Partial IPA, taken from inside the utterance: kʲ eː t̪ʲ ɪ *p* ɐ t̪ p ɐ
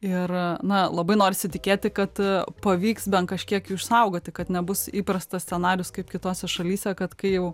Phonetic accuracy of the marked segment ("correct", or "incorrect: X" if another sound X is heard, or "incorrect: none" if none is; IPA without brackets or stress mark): incorrect: k